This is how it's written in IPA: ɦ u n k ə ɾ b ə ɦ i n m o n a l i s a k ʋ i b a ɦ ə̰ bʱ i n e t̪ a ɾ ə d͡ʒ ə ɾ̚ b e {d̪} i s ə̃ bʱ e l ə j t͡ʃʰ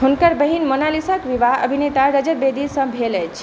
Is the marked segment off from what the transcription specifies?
no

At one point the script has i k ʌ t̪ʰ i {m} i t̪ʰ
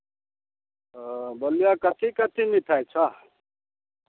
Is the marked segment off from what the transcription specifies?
yes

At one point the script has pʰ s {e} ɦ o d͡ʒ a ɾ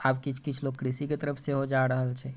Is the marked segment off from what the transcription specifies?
no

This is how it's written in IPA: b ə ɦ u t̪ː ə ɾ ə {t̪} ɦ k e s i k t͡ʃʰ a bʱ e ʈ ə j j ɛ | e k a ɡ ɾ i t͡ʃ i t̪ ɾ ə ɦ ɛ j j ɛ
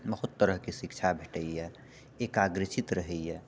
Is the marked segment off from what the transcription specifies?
yes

